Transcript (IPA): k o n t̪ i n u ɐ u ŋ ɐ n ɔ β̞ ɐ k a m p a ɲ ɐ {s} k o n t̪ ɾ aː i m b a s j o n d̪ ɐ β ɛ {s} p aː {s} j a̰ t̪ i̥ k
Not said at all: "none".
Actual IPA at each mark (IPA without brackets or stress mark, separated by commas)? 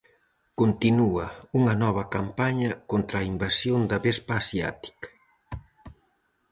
none, s, s